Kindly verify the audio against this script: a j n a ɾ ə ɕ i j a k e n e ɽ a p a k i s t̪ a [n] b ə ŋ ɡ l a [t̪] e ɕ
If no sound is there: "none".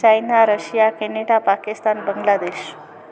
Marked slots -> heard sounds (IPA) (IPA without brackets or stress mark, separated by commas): n, d̪